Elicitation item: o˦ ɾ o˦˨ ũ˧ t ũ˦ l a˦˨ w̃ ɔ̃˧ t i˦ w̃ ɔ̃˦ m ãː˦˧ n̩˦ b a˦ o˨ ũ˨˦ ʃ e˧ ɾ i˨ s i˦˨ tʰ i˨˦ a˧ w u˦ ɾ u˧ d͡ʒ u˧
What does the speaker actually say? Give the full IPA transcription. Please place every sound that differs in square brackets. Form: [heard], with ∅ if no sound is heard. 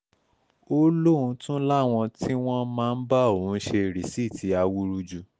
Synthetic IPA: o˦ [l] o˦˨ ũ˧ t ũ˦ l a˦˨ w̃ ɔ̃˧ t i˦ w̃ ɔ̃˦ m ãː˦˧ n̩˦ b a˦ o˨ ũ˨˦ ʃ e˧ ɾ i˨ s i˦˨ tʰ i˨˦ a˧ w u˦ ɾ u˧ d͡ʒ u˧